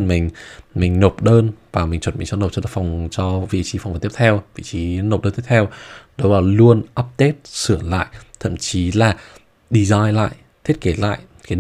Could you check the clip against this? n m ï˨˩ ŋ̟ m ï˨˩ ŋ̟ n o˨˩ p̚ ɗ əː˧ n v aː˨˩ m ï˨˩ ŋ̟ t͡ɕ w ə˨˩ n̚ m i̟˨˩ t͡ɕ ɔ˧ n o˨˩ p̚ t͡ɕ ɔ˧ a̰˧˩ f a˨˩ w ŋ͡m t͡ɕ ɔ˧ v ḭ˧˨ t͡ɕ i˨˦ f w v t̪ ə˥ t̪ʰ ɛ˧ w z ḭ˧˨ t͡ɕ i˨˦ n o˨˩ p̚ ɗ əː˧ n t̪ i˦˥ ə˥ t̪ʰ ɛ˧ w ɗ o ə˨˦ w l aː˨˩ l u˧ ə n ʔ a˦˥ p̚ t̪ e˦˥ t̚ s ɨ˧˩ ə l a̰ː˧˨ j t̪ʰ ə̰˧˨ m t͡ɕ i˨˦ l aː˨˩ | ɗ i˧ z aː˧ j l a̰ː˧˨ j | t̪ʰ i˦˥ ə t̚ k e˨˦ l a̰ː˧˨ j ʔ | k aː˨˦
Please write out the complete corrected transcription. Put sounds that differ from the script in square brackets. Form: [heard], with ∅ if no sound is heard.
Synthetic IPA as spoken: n m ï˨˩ ŋ̟ m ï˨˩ ŋ̟ n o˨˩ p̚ ɗ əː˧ n v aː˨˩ m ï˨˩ ŋ̟ t͡ɕ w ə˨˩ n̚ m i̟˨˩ t͡ɕ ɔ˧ n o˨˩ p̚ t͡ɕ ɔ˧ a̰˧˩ f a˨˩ w ŋ͡m t͡ɕ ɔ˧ v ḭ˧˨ t͡ɕ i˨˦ f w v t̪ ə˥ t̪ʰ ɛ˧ w [v] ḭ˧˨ t͡ɕ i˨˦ n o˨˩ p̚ ɗ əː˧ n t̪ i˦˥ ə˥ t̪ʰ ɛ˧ w ɗ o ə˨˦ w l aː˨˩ l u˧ ə n ʔ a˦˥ p̚ t̪ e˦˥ t̚ s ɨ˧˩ ə l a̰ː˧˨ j t̪ʰ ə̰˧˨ m t͡ɕ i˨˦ l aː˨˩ | ɗ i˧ z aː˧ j l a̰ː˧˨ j | t̪ʰ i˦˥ ə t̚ k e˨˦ l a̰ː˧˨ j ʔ | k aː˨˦